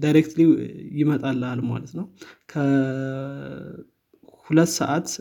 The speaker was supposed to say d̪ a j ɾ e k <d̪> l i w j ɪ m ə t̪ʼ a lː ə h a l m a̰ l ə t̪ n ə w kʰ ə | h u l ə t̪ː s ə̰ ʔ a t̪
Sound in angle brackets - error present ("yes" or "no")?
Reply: yes